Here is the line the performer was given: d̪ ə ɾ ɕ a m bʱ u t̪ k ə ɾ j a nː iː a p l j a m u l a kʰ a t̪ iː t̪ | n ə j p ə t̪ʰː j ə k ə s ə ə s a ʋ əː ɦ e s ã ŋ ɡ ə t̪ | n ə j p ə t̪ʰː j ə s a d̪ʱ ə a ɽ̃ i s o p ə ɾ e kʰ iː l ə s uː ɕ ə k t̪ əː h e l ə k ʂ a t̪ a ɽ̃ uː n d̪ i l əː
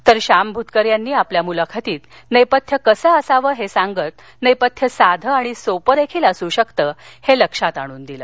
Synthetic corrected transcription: t̪ ə ɾ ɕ a m bʱ u t̪ k ə ɾ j a nː iː a p l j a m u l a kʰ a t̪ iː t̪ | n ə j p ə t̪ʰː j ə k ə s ə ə s a ʋ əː ɦ e s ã ŋ ɡ ə t̪ | n ə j p ə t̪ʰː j ə s a d̪ʱ ə a ɽ̃ i s o p ə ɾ e kʰ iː l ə s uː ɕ ə k t̪ əː h e l ə k ʂ a t̪ a ɽ̃ uː n d̪ i l əː